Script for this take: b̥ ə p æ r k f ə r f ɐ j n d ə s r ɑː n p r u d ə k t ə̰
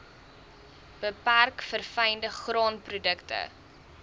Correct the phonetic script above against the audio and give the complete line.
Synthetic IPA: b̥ ə p æ r k f ə r f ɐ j n d ə χ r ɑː n p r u d ə k t ə̰